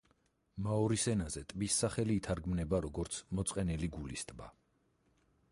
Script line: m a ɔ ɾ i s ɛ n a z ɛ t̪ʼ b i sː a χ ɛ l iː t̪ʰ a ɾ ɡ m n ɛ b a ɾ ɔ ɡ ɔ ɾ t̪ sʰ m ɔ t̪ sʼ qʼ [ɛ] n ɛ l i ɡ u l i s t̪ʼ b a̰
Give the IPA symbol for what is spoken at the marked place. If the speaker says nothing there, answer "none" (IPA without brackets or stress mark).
ɛ